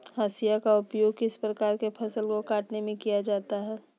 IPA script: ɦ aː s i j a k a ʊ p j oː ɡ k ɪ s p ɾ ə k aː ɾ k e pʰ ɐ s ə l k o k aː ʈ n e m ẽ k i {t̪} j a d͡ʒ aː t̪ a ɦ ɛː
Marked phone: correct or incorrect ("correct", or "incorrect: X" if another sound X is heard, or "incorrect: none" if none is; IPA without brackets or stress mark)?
incorrect: none